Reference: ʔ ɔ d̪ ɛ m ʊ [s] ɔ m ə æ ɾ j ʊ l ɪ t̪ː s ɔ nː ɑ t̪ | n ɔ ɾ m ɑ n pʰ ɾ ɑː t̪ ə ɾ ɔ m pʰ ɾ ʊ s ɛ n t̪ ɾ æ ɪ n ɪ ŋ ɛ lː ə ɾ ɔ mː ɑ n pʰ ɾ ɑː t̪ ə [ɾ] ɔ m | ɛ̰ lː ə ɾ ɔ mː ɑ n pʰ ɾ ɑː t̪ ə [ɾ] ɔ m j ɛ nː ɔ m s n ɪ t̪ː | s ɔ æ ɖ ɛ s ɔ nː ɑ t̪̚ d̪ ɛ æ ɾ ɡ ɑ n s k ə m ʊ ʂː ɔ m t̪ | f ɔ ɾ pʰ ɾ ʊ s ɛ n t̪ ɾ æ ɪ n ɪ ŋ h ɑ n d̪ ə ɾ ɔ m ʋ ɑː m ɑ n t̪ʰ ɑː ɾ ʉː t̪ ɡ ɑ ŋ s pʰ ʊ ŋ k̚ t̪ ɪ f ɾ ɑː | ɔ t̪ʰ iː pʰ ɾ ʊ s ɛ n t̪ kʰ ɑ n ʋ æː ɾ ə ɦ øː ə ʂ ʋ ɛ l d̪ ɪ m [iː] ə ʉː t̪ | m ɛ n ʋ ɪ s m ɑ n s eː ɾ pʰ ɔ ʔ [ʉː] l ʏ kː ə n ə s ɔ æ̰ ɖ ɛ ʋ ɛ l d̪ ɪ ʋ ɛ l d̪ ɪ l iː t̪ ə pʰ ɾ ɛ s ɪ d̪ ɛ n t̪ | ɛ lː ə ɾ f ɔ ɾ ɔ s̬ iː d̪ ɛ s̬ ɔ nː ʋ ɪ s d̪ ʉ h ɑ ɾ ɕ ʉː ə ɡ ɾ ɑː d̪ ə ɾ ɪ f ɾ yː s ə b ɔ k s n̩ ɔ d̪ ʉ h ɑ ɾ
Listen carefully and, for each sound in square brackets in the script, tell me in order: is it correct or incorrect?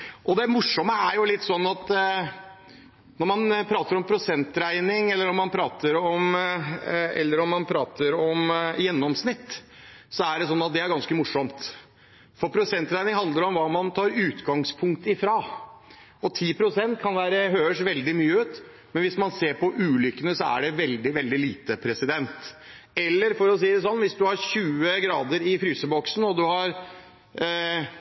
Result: incorrect, correct, correct, incorrect, correct

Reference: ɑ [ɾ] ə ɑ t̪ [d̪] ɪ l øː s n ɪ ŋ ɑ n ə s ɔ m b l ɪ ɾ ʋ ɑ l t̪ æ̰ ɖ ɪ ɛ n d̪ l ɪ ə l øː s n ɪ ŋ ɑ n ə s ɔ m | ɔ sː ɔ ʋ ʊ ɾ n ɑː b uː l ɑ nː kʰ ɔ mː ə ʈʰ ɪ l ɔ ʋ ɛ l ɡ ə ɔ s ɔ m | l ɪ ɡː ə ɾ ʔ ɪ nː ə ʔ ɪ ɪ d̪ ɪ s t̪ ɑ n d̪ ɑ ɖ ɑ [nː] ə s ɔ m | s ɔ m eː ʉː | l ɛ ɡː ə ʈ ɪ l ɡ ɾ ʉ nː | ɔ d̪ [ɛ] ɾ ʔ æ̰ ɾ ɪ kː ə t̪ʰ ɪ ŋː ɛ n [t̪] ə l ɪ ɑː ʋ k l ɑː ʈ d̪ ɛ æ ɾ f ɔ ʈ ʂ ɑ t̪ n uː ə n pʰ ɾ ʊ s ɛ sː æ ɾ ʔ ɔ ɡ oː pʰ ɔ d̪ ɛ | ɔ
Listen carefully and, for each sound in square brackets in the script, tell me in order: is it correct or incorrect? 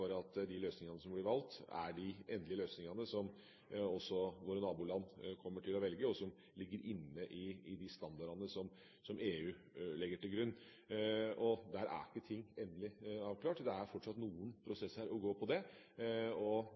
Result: correct, correct, incorrect, incorrect, incorrect

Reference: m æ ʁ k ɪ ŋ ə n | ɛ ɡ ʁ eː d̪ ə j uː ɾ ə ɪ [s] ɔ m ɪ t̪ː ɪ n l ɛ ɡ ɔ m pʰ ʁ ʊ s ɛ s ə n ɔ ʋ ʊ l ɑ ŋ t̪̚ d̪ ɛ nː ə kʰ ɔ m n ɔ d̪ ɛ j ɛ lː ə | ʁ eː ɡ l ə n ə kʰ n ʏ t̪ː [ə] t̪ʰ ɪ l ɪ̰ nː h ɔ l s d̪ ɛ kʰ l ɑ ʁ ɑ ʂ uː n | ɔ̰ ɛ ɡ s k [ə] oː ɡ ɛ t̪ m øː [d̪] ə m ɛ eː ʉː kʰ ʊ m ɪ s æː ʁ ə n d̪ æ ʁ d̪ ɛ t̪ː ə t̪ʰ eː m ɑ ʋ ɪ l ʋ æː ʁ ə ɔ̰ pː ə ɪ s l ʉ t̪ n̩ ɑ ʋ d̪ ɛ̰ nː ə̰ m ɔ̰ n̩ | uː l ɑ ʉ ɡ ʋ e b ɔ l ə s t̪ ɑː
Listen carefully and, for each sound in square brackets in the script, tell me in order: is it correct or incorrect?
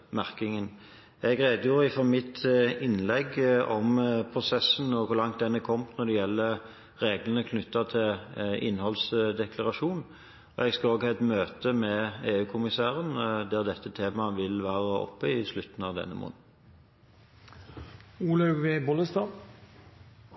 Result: incorrect, incorrect, incorrect, incorrect

